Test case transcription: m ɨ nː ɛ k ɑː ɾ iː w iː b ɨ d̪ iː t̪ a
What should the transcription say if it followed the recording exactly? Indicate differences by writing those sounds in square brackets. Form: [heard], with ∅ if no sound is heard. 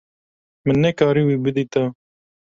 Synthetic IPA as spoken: m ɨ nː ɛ k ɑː ɾ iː w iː b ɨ d̪ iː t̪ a

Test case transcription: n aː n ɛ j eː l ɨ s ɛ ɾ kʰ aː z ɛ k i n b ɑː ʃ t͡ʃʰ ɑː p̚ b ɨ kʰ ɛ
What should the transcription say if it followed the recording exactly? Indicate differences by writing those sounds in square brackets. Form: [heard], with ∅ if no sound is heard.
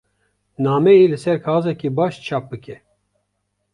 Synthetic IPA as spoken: n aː [m] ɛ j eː l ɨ s ɛ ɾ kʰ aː z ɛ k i [∅] b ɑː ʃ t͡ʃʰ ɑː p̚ b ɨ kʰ ɛ

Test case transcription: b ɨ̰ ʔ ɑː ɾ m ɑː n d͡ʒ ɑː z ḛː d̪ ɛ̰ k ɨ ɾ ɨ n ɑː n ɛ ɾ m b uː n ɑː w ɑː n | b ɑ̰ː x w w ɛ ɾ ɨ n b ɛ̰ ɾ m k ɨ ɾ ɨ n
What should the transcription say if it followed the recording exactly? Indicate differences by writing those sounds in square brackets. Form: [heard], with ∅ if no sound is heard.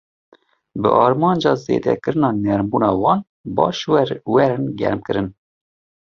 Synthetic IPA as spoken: b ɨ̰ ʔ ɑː ɾ m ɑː n d͡ʒ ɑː z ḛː d̪ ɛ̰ k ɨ ɾ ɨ n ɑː n ɛ ɾ m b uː n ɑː w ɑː n | b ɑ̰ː [ʃ] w w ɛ ɾ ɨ n [ɡ] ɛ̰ ɾ m k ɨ ɾ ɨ n

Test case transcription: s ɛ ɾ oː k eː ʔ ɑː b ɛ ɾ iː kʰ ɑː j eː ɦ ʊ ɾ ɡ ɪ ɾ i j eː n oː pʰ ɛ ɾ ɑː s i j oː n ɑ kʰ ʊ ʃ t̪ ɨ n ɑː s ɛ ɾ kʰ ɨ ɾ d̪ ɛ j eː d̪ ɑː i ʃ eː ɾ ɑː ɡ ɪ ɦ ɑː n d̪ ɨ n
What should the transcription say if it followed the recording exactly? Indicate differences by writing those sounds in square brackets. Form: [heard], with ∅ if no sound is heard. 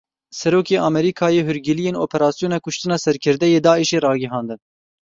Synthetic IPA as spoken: s ɛ ɾ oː k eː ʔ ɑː [m] ɛ ɾ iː kʰ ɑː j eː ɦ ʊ ɾ ɡ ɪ [l] i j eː n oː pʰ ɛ ɾ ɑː s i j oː n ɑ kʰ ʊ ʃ t̪ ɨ n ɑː s ɛ ɾ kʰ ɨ ɾ d̪ ɛ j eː d̪ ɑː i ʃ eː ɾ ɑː ɡ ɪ ɦ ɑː n d̪ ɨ n

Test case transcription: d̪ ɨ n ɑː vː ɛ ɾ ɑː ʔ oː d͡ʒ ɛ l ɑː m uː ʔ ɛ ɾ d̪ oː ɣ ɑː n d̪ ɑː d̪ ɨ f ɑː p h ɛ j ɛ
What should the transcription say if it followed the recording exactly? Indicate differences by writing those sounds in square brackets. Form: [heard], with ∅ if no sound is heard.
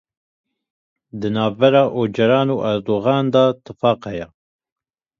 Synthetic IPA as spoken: d̪ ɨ n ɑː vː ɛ ɾ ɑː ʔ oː d͡ʒ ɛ [ɾ] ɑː [n] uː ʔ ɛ ɾ d̪ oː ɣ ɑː n d̪ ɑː [t̪] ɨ f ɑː [q] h ɛ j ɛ

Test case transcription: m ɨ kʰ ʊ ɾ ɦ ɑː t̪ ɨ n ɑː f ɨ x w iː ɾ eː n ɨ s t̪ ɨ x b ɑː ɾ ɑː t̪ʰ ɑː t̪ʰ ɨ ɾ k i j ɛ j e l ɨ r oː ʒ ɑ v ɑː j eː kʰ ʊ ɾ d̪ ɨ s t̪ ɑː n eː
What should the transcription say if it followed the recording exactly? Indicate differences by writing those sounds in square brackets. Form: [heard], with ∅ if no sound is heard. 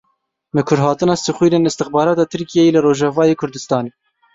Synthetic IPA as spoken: m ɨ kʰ ʊ ɾ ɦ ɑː t̪ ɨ n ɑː [s] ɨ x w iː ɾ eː n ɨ s t̪ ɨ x b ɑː ɾ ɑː [t̪] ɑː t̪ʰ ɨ ɾ k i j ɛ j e l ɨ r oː ʒ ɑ v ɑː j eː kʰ ʊ ɾ d̪ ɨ s t̪ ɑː n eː

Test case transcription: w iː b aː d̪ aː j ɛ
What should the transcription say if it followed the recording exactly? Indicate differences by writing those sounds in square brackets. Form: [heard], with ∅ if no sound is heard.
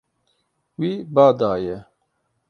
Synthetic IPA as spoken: w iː b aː d̪ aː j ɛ

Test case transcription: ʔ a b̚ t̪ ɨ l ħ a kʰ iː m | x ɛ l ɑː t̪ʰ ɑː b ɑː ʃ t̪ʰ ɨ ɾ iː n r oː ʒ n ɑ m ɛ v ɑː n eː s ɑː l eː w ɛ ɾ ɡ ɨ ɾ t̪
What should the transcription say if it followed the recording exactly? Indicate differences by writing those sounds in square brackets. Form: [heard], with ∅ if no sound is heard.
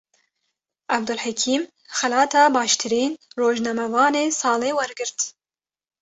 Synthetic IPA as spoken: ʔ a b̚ [d̪] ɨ l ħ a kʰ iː m | x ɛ l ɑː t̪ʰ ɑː b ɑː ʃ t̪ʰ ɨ ɾ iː n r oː ʒ n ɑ m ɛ v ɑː n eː s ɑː l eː w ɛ ɾ ɡ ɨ ɾ t̪

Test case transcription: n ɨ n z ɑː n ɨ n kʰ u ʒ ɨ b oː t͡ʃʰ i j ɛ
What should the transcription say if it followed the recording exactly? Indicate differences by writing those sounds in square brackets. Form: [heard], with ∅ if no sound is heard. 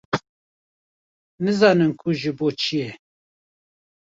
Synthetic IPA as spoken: n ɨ [∅] z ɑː n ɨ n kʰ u ʒ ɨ b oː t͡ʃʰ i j ɛ

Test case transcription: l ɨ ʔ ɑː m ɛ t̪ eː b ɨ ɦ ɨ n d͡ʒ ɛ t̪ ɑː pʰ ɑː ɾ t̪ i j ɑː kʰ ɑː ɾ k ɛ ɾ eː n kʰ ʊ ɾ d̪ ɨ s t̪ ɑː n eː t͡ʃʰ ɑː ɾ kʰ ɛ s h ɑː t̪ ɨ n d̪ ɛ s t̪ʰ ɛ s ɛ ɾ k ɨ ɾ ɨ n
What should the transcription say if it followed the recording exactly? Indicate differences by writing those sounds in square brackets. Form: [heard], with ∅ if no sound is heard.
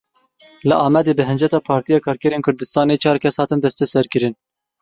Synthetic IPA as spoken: l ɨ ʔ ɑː m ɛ [d̪] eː b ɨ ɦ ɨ n d͡ʒ ɛ t̪ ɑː pʰ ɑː ɾ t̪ i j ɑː kʰ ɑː ɾ k ɛ ɾ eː n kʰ ʊ ɾ d̪ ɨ s t̪ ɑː n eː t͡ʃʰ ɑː ɾ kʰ ɛ s h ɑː t̪ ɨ n d̪ ɛ s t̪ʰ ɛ s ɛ ɾ k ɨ ɾ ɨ n

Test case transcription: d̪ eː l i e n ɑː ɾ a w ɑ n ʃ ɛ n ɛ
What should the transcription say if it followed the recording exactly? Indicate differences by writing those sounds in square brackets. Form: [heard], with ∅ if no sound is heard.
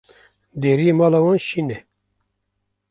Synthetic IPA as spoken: d̪ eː [ɾ] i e [m] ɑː [l] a w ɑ n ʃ [i] n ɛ

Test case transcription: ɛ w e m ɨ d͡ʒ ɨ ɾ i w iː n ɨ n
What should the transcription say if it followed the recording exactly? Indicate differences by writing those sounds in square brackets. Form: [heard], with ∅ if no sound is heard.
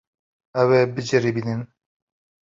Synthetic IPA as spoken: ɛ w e [b] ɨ d͡ʒ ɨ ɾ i [b] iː n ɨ n

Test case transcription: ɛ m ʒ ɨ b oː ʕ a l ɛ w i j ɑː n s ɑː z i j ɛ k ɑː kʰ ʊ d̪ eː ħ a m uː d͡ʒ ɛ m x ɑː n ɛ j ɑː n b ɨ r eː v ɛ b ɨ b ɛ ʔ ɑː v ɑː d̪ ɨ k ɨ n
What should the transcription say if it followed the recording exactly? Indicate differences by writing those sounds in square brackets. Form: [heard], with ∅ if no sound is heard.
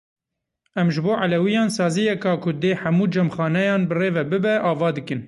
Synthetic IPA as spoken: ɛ m ʒ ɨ b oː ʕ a l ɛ w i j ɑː n s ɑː z i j ɛ k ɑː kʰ ʊ d̪ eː ħ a m uː d͡ʒ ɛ m x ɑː n ɛ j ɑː n b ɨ r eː v ɛ b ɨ b ɛ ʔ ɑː v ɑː d̪ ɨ k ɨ n

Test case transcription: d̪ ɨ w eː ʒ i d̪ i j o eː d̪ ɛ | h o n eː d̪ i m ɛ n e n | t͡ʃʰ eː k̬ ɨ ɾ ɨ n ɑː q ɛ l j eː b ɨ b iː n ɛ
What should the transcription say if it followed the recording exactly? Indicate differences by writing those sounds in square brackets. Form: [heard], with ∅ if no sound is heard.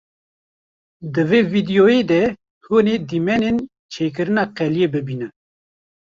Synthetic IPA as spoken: d̪ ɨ [v] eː [v] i d̪ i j o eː d̪ ɛ | h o n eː d̪ i m ɛ n e n | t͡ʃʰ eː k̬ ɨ ɾ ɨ n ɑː q ɛ l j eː b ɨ b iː n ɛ

